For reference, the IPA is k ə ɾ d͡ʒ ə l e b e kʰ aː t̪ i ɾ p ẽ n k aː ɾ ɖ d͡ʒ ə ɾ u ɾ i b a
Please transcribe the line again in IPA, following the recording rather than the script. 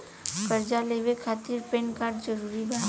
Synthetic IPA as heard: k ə ɾ d͡ʒ a l e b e kʰ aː t̪ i ɾ p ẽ n k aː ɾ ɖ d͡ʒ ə ɾ u ɾ i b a